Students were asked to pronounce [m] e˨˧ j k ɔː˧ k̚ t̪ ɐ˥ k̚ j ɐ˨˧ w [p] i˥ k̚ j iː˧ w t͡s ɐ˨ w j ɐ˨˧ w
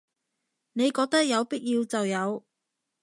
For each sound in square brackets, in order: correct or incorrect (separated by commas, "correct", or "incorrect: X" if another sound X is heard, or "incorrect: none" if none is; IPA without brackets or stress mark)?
incorrect: n, correct